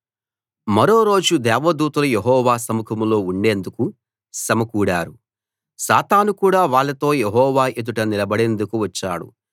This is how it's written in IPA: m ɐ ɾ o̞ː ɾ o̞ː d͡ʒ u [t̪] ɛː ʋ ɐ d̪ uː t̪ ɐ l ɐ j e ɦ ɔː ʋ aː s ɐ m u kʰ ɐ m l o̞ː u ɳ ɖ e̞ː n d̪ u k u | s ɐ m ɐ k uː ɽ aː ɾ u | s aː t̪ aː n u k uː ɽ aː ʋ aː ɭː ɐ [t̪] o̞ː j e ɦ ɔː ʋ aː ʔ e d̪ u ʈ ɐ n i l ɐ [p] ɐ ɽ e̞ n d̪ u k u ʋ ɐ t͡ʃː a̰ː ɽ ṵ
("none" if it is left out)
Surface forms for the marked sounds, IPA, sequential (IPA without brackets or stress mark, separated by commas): d̪, t̪, b